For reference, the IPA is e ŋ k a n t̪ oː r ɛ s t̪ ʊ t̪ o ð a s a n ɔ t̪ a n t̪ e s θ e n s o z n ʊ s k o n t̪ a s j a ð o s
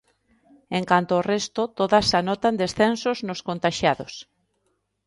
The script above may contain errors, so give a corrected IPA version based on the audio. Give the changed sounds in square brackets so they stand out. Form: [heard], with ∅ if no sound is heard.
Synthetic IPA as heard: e ŋ k a n t̪ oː r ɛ s t̪ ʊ t̪ o ð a s a n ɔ t̪ a n [d̪] e s θ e n s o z n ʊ s k o n t̪ a [ʃ] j a ð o s